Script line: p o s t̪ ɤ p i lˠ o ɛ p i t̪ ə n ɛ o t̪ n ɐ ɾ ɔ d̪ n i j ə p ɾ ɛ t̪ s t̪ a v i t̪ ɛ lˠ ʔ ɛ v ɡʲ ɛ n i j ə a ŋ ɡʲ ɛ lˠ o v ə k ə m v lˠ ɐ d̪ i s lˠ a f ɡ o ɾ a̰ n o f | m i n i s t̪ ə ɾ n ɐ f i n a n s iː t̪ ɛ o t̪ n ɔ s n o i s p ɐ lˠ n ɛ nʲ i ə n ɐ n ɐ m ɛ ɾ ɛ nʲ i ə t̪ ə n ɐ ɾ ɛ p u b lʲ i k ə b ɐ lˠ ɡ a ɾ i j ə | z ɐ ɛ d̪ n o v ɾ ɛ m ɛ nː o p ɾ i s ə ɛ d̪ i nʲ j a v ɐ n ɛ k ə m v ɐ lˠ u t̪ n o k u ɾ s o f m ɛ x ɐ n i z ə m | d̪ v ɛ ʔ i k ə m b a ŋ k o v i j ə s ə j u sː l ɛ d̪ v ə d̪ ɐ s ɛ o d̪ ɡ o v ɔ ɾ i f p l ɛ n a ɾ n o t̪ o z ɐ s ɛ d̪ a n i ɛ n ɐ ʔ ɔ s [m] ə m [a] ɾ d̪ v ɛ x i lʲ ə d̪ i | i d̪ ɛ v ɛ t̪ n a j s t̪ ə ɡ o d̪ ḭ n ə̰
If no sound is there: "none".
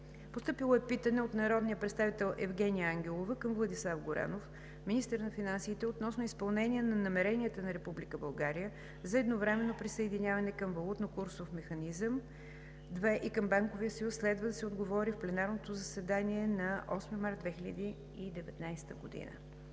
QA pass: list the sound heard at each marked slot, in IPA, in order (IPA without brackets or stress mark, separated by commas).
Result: m, a